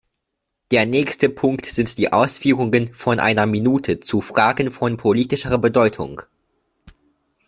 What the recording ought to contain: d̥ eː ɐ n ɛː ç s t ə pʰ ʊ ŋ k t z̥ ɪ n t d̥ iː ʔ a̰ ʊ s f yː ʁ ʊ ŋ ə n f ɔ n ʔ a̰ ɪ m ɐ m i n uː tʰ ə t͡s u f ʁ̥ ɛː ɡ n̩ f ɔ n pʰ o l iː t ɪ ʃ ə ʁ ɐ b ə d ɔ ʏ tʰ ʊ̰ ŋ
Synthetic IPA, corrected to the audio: d̥ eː ɐ n ɛː ç s t ə pʰ ʊ ŋ k t z̥ ɪ n t d̥ iː ʔ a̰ ʊ s f yː ʁ ʊ ŋ ə n f ɔ n ʔ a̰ ɪ n ɐ m i n uː tʰ ə t͡s u f ʁ̥ aː ɡ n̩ f ɔ n pʰ o l iː t ɪ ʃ ə ʁ ɐ b ə d ɔ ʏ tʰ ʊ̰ ŋ